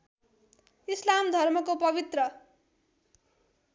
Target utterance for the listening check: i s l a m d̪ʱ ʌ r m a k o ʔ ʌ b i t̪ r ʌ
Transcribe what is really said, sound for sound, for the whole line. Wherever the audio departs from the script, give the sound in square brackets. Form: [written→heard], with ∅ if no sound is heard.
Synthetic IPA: i s l a m d̪ʱ ʌ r m [a→ʌ] k o [ʔ→p] ʌ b i t̪ r ʌ